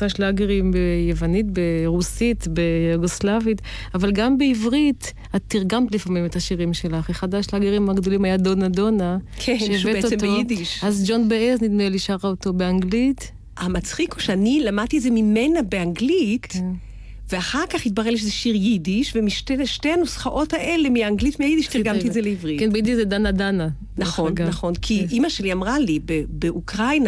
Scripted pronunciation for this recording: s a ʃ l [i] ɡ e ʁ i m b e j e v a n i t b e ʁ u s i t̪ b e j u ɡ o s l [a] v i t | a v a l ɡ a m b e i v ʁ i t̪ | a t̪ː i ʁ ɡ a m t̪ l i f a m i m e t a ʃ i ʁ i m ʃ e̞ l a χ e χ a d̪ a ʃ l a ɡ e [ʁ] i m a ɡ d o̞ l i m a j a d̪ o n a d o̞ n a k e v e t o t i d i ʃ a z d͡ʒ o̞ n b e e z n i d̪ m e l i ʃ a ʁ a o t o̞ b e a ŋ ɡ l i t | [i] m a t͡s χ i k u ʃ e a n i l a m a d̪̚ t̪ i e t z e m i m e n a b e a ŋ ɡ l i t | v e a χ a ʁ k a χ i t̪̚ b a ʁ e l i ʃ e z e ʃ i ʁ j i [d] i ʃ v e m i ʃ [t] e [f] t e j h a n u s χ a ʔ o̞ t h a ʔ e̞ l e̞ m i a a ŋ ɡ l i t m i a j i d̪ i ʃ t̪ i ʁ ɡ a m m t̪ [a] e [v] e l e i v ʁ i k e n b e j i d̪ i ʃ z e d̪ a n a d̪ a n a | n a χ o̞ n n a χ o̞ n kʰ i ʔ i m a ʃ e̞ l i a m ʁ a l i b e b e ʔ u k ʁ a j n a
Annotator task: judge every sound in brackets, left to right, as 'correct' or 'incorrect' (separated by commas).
incorrect, correct, correct, incorrect, correct, correct, incorrect, incorrect, incorrect